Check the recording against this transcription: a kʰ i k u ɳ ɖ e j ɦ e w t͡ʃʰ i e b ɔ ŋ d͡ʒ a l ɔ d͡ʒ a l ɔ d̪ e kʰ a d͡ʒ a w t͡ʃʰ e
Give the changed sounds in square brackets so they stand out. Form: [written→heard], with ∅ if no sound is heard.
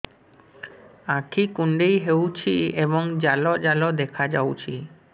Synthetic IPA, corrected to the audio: a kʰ i k u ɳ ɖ e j ɦ e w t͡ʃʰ i e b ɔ ŋ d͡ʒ a l ɔ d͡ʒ a l ɔ d̪ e kʰ a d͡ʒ a w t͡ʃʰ [e→i]